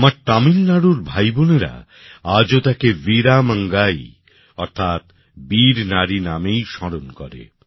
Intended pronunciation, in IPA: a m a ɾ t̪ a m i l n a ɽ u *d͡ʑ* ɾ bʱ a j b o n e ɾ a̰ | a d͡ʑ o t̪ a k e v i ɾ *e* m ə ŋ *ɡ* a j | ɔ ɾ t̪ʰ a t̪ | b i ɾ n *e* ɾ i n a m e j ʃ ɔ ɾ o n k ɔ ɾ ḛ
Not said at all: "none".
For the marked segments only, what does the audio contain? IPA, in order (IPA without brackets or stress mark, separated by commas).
none, a, ɡ, a